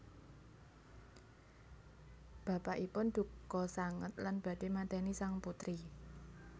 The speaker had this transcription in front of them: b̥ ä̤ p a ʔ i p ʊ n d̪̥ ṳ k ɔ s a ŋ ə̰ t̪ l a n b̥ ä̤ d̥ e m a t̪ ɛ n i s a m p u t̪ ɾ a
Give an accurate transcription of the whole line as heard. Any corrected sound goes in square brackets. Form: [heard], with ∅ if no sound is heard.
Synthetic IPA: b̥ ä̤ p a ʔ i p ʊ n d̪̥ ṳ k ɔ s a ŋ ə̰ t̪ l a n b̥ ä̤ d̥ e m a t̪ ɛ n i s a [ŋ] p u t̪ ɾ [i]